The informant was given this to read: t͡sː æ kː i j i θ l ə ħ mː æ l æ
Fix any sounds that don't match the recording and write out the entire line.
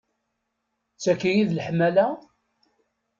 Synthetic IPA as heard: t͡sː æ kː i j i ð l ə ħ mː æ l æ